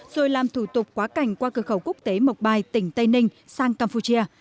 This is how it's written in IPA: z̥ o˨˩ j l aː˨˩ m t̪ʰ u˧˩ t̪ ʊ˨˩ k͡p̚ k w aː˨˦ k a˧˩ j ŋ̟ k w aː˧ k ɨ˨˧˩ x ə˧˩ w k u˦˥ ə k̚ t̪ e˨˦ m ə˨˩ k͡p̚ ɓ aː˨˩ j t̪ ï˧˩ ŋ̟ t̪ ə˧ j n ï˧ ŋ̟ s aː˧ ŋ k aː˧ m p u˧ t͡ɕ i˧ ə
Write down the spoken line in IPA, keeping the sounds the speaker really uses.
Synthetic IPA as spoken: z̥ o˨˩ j l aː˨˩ m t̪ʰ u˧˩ t̪ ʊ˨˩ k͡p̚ k w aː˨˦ k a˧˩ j ŋ̟ k w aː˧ k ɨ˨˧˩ x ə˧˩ w k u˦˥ ə k̚ t̪ e˨˦ m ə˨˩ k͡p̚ ɓ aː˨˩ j t̪ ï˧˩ ŋ̟ t̪ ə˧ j n ï˧ ŋ̟ s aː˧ ŋ k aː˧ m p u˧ t͡ɕ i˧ ə